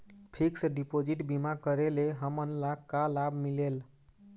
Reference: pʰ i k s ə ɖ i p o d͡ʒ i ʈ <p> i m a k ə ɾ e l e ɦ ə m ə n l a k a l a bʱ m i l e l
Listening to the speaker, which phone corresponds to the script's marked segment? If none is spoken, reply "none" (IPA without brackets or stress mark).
b